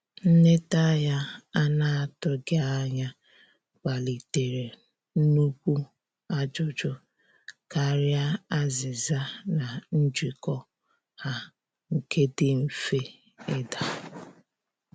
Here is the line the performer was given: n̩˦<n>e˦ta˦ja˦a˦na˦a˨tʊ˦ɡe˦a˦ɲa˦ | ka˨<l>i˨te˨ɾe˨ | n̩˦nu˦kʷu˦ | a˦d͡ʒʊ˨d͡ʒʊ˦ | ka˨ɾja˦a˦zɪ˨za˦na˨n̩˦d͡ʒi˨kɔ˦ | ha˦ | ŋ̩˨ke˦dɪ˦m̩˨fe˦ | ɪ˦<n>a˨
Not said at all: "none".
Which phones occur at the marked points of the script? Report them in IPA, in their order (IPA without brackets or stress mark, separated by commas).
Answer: n, l, d